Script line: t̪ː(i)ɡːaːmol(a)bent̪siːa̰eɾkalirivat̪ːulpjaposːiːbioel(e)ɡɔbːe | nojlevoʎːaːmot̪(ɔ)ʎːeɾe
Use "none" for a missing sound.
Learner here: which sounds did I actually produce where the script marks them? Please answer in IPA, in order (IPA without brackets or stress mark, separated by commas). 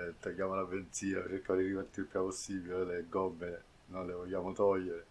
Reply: a, a, e, ɔ